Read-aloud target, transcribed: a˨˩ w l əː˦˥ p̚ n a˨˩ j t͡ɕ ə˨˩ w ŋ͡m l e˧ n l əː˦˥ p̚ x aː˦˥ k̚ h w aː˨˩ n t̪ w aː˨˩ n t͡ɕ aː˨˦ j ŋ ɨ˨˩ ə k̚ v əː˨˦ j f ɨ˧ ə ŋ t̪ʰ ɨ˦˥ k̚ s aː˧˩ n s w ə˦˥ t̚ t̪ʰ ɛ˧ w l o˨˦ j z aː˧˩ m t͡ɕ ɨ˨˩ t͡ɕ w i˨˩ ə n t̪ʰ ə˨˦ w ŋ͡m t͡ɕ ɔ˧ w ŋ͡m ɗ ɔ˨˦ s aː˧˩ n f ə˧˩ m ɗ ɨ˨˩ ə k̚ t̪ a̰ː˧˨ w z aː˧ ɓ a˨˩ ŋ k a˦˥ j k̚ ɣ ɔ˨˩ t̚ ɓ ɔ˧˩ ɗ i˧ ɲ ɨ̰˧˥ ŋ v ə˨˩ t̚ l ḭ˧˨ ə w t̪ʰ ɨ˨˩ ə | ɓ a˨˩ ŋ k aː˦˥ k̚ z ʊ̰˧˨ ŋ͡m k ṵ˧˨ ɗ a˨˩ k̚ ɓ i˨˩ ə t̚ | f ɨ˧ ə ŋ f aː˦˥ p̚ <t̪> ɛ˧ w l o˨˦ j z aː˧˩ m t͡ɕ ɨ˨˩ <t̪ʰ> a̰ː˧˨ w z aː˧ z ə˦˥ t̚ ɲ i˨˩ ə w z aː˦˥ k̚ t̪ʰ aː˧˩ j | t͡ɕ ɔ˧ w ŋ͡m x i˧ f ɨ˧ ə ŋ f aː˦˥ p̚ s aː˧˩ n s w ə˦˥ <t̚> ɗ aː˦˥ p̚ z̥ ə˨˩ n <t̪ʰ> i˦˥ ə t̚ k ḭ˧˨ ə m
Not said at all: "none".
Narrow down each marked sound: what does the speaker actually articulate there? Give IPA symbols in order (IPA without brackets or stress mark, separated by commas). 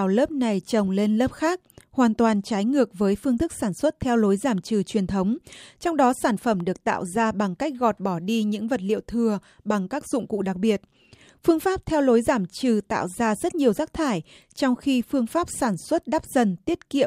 t̪ʰ, t̪, t̚, t̪